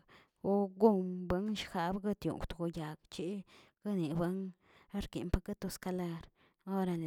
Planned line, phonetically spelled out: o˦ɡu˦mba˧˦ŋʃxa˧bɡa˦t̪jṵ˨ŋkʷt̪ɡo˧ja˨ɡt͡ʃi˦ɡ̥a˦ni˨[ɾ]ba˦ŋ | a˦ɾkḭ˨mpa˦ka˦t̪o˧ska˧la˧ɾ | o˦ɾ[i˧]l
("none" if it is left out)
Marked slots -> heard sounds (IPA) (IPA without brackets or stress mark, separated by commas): none, a˧